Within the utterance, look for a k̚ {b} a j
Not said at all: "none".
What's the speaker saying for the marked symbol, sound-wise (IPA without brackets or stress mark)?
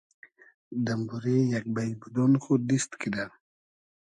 b